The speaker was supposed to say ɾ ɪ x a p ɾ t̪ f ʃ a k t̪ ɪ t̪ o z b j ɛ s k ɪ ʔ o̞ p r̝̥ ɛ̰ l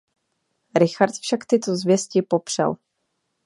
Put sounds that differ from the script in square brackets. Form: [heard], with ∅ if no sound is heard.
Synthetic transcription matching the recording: ɾ ɪ x a [∅] ɾ t̪ f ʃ a k t̪ ɪ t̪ o z [v] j ɛ s [c] ɪ [p] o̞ p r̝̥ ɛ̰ l